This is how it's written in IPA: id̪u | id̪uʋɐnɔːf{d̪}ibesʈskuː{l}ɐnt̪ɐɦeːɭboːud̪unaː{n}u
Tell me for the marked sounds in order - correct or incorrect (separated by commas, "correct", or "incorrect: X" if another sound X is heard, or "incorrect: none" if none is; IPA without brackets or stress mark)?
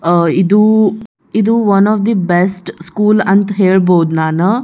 correct, correct, correct